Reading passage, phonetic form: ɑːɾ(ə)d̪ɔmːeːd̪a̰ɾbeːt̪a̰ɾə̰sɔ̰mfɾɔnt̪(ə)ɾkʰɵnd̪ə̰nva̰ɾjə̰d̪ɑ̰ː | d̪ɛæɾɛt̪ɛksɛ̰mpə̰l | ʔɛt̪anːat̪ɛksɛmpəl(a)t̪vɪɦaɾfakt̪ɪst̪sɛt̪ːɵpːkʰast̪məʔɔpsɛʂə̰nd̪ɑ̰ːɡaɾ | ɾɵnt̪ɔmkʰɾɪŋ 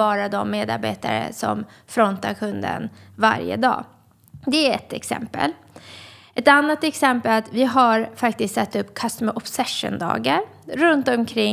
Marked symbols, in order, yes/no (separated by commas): no, no, yes